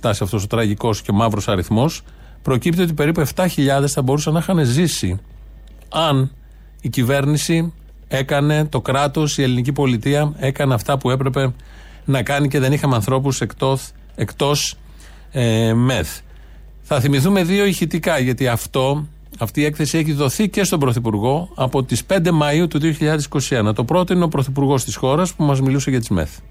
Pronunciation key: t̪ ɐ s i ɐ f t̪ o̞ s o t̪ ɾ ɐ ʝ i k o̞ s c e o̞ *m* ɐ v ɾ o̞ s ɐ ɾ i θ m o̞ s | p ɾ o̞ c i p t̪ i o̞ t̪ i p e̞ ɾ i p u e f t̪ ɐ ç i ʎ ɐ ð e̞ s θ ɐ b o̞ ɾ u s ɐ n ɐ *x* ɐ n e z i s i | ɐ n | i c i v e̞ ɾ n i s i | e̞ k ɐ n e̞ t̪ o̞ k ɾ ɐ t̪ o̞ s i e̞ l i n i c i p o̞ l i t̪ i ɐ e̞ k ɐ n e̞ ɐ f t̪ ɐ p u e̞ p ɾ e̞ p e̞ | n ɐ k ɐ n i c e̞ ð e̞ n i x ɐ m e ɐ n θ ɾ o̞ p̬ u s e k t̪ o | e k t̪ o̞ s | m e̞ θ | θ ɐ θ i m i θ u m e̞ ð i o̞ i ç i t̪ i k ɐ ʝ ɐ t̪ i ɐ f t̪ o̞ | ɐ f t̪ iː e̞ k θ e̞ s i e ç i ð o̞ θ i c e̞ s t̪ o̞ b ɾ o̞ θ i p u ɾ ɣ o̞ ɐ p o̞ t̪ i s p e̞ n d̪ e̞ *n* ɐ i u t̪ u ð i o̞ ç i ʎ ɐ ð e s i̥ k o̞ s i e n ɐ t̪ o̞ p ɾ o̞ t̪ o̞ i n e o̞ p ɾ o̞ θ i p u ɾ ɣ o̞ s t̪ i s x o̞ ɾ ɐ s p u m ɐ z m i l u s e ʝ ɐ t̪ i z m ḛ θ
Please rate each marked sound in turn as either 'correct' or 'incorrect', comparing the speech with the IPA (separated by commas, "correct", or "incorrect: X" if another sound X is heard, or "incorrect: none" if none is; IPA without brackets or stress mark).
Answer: correct, correct, incorrect: m